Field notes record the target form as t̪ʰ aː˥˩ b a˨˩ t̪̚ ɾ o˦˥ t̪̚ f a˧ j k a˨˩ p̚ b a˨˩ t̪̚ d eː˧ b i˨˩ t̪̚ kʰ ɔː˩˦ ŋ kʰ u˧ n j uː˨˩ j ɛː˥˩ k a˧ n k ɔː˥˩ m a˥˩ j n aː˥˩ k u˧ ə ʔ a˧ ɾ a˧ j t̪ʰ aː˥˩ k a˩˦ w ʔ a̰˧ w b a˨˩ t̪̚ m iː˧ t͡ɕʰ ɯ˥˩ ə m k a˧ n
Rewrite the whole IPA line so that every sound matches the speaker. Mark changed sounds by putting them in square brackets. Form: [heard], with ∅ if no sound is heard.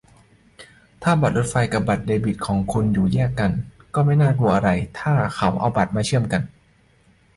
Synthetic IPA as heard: t̪ʰ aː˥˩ b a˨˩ t̪̚ ɾ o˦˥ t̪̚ f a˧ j k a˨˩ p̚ b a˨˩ t̪̚ d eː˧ b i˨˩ t̪̚ kʰ ɔː˩˦ ŋ kʰ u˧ n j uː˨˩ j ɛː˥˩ k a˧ n k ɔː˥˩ m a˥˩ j n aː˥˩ k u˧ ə ʔ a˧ ɾ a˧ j t̪ʰ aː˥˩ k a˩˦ w ʔ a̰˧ w b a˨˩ t̪̚ m [aː˧] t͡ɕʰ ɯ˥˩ ə m k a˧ n